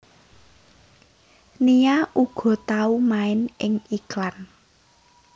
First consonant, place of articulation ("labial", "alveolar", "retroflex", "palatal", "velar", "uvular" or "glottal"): alveolar